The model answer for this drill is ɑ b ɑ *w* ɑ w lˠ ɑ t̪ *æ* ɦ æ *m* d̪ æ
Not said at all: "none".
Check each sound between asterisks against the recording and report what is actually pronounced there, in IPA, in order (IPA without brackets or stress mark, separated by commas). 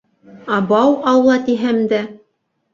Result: w, i, m